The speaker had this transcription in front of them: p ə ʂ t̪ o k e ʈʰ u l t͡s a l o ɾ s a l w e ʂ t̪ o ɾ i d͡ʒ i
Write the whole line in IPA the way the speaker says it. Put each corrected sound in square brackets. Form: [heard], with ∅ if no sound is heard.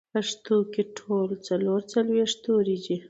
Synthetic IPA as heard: p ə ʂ t̪ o k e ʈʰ [o] l t͡s a l o ɾ [t͡s] a l w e ʂ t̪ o ɾ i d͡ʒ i